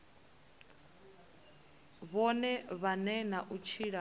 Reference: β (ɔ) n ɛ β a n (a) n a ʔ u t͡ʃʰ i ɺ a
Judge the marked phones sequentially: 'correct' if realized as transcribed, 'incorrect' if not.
correct, incorrect: ɛ

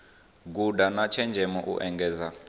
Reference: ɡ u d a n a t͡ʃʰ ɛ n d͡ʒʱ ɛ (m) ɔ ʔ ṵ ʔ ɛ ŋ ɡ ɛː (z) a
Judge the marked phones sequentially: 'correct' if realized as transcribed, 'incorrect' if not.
correct, correct

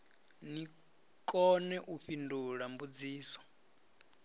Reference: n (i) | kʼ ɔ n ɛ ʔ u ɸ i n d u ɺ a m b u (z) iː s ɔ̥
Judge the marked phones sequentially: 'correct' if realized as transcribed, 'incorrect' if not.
correct, incorrect: d͡z

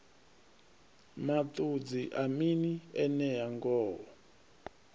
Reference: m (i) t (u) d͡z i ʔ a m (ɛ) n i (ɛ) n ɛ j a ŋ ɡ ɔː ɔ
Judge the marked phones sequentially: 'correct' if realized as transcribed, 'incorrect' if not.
incorrect: a, correct, incorrect: i, correct

